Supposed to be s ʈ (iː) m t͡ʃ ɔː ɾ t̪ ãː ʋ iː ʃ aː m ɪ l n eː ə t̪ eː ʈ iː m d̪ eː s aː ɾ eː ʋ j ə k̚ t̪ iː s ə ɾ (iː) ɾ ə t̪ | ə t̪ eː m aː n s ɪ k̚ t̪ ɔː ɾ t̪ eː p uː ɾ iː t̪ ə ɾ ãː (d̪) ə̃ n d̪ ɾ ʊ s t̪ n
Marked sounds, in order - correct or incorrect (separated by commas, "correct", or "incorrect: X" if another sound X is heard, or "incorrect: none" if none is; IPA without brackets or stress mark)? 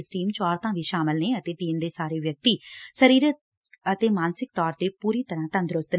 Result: correct, correct, incorrect: t̪